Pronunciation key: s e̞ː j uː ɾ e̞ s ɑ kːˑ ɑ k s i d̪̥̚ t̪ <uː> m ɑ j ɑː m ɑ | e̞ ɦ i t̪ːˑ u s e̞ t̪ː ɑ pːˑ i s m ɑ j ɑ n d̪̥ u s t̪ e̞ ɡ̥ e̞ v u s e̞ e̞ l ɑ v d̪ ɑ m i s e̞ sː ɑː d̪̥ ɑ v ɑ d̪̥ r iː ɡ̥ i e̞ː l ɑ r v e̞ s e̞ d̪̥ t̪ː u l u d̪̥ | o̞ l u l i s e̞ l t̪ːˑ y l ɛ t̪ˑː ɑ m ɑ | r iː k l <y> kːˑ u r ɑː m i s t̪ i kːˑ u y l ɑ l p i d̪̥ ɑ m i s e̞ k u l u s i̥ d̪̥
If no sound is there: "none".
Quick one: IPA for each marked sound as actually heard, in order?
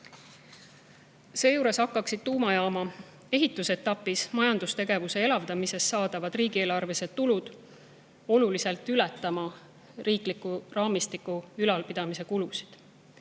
uː, i

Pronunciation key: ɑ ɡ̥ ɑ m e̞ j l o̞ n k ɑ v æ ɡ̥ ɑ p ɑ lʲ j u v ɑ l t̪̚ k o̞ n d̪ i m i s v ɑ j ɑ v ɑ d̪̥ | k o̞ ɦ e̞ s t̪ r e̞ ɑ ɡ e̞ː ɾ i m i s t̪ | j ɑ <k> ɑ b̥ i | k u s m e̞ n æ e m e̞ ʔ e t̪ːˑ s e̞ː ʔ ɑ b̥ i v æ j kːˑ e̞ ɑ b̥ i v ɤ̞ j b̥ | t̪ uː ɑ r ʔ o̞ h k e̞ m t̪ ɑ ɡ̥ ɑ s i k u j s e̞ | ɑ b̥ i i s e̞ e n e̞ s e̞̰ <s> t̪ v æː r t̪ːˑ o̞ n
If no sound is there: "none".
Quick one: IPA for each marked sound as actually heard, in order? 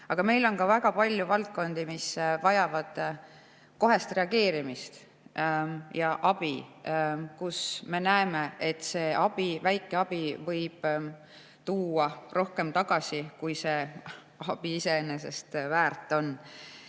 ʔ, s

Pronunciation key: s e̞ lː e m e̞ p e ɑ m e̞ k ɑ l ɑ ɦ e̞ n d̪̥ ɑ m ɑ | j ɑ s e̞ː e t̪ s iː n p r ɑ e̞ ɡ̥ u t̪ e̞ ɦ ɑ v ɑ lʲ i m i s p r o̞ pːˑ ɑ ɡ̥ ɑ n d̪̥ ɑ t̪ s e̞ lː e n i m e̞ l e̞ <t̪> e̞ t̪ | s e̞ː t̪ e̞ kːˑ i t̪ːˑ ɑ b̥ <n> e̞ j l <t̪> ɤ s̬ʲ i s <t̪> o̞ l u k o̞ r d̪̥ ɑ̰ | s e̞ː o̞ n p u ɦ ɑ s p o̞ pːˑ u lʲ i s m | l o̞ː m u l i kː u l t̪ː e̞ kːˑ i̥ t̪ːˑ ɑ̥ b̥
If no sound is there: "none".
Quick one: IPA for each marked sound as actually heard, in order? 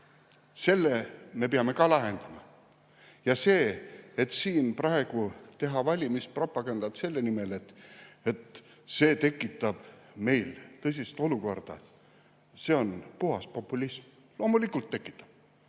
t̪, m, t̪, t̪

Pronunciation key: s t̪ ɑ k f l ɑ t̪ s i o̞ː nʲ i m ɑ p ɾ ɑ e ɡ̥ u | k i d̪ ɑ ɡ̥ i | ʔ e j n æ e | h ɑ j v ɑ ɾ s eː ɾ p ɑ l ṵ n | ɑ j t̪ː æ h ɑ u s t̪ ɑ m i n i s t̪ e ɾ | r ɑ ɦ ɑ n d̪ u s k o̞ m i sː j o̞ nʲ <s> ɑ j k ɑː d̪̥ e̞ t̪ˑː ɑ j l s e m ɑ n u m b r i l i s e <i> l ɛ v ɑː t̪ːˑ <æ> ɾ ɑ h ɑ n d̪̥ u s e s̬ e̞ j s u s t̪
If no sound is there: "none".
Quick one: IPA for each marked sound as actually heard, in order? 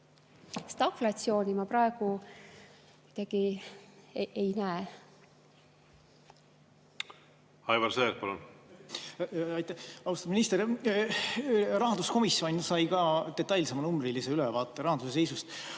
s, y, e

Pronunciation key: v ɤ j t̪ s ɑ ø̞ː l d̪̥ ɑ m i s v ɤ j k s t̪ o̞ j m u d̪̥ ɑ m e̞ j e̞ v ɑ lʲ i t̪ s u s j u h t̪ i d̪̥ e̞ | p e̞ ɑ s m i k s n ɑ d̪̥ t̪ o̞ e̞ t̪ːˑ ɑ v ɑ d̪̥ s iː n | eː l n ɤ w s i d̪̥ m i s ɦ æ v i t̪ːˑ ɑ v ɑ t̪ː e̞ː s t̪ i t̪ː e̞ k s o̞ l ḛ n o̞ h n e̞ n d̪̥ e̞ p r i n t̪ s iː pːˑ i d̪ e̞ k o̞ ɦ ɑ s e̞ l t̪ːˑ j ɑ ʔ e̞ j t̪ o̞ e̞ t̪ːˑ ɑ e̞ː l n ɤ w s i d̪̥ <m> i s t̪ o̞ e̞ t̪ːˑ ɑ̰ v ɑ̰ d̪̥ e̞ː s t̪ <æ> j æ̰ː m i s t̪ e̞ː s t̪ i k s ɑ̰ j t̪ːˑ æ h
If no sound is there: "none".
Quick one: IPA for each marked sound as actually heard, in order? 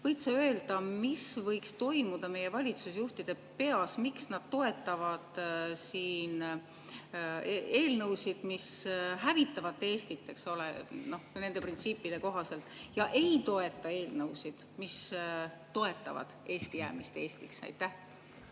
m, i

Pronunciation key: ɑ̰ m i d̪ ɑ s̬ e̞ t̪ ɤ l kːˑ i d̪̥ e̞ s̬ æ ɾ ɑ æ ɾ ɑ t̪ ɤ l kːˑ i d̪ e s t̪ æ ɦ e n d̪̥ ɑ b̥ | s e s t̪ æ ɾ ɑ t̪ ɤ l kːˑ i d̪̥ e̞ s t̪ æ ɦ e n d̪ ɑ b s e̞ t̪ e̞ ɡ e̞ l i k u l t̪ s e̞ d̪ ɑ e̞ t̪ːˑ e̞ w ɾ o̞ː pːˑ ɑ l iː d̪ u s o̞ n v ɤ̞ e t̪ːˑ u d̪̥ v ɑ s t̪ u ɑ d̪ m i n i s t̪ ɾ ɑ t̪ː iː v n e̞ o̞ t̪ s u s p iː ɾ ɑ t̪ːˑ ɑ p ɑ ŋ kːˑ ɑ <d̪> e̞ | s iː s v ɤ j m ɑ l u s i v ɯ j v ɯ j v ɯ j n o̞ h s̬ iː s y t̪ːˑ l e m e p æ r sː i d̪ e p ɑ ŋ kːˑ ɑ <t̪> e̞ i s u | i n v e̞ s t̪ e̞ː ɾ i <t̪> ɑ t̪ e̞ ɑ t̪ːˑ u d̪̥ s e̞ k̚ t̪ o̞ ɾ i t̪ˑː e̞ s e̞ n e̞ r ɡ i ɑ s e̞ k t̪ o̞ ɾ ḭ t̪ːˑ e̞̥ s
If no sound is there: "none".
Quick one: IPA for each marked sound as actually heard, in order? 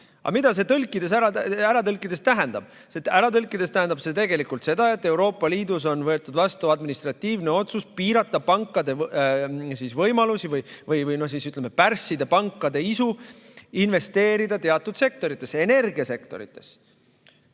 d̪, d̪, d̪

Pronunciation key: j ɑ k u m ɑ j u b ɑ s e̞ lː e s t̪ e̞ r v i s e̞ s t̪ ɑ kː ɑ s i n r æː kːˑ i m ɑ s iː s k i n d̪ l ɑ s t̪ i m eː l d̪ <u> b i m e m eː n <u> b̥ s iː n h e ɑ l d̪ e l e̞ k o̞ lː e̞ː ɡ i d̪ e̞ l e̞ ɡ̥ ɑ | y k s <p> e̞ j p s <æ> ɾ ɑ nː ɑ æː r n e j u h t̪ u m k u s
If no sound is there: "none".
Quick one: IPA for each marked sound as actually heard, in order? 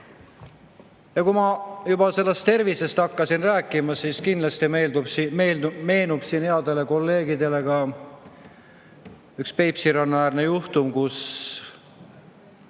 u, u, p, i

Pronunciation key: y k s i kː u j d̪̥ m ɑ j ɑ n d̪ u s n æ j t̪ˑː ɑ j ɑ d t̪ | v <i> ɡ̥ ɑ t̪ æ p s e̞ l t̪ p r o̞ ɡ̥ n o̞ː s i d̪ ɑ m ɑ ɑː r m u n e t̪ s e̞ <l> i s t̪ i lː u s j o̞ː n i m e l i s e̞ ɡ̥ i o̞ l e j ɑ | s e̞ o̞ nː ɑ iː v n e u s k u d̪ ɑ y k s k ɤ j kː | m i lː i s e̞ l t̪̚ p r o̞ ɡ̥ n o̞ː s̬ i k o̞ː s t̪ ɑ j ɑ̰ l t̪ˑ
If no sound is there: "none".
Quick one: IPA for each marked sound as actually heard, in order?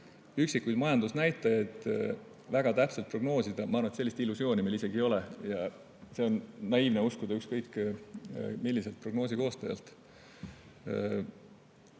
æ, lː

